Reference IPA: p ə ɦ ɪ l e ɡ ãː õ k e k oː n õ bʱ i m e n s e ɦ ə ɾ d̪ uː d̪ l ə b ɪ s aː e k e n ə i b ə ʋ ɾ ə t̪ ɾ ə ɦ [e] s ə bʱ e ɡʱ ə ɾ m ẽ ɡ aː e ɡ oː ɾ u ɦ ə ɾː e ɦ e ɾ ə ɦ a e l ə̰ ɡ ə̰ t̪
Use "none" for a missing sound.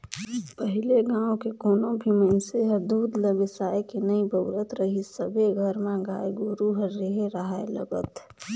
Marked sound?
i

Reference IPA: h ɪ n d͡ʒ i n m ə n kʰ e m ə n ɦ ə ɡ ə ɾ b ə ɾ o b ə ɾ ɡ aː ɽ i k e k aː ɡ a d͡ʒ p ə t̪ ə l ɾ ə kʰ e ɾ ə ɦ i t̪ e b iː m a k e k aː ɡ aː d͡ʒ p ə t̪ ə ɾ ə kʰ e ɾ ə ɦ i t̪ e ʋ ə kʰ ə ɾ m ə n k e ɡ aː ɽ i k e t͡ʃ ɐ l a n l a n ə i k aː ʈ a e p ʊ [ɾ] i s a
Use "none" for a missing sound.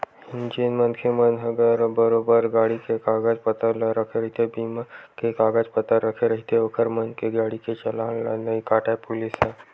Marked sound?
l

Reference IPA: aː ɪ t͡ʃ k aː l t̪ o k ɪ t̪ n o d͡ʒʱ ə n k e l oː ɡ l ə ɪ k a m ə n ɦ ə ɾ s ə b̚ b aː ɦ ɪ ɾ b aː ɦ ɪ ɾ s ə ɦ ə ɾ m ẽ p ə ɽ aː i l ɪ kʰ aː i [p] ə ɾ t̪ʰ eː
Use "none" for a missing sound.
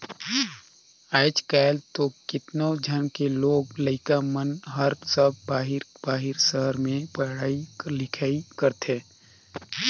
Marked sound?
k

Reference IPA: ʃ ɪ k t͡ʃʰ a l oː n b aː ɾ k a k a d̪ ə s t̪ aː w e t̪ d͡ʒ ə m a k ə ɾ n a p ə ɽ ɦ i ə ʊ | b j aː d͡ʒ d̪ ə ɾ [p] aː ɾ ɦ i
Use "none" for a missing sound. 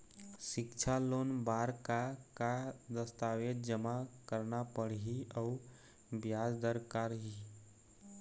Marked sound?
k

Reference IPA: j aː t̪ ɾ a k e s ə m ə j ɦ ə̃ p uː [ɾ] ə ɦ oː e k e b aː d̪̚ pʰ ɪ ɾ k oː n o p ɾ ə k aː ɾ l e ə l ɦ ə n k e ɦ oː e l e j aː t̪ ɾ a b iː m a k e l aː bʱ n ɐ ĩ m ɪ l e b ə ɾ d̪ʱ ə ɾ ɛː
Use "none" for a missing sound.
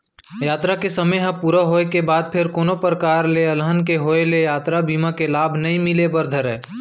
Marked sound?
ɾ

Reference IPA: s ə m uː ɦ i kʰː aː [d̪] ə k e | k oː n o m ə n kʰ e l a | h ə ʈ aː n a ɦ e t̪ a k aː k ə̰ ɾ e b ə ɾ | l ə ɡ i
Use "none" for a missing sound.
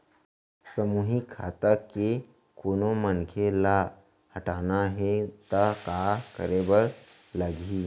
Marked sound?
t̪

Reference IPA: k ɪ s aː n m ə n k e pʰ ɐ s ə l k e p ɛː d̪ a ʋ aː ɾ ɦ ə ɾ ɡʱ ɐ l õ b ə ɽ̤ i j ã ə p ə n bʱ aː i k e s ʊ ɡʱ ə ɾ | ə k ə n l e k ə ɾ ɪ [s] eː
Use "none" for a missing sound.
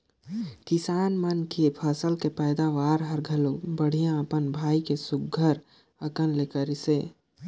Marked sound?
s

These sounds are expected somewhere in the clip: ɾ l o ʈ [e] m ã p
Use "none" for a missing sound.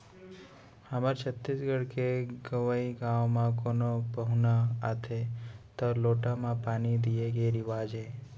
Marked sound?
a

